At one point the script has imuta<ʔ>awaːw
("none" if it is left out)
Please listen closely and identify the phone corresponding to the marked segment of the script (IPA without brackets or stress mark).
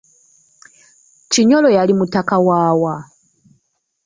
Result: k